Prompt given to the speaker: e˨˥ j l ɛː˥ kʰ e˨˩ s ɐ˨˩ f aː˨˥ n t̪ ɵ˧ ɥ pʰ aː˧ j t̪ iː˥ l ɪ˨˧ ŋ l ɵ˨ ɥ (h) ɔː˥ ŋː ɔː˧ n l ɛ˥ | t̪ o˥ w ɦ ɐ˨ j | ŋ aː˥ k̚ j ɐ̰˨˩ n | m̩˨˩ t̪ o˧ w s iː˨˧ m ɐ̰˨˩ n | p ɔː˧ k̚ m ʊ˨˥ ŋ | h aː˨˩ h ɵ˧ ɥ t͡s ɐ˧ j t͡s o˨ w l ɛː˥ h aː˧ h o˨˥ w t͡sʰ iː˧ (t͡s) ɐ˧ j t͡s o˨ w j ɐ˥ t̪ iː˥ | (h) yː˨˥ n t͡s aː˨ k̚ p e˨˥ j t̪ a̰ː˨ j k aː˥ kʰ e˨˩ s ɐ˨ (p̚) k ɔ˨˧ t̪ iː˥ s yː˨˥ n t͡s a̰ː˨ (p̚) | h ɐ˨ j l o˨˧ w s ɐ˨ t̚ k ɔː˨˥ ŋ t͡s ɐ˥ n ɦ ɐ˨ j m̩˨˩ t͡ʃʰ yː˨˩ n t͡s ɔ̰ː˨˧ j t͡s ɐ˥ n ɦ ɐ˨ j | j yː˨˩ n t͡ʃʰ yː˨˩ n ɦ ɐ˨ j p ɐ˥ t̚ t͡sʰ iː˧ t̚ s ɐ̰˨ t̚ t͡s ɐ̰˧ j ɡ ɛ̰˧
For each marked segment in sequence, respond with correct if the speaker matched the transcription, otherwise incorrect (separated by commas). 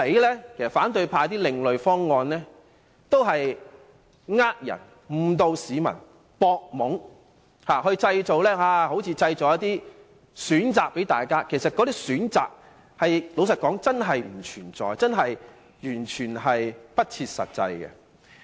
incorrect, correct, incorrect, incorrect, incorrect